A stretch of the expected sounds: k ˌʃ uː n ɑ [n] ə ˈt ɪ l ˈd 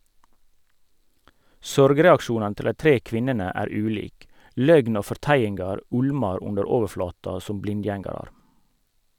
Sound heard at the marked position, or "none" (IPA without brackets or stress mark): n